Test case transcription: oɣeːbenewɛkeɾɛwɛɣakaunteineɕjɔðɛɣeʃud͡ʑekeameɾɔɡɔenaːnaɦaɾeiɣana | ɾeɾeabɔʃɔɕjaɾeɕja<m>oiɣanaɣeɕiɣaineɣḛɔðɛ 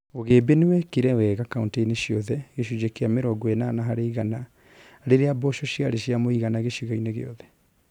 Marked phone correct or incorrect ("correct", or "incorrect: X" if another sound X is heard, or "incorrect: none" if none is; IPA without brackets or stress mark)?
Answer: correct